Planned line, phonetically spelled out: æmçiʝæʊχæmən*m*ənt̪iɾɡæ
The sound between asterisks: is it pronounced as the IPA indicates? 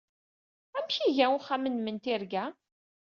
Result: yes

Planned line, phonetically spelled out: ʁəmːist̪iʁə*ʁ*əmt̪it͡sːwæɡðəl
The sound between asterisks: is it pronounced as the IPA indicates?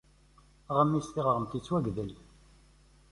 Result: yes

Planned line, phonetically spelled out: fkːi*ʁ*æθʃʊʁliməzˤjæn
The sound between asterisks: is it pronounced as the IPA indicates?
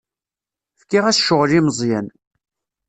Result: yes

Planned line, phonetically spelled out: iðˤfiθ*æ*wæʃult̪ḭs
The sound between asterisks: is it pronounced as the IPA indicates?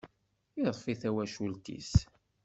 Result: yes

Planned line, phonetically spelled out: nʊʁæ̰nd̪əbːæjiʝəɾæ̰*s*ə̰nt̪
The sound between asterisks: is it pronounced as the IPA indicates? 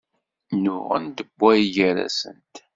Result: yes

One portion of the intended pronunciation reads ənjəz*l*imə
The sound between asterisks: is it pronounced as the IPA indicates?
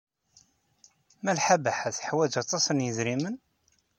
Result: no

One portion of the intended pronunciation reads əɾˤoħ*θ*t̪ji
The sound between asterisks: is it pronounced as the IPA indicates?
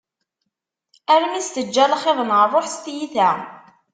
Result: no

